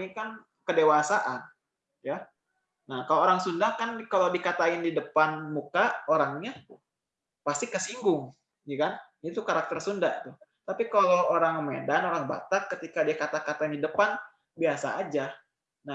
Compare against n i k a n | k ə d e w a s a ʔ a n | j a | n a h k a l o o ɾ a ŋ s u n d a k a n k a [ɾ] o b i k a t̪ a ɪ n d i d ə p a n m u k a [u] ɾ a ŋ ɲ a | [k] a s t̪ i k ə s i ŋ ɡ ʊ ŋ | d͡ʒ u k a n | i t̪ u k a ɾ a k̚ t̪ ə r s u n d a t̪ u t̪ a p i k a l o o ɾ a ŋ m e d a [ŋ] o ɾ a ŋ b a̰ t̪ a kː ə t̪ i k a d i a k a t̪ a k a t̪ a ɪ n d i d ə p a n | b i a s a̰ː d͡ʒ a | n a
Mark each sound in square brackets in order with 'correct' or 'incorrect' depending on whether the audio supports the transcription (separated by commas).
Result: incorrect, incorrect, incorrect, incorrect